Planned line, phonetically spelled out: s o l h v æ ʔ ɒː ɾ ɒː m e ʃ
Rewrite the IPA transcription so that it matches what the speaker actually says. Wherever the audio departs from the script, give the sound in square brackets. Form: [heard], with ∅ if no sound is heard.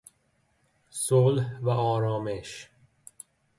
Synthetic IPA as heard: s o l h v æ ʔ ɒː ɾ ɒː m e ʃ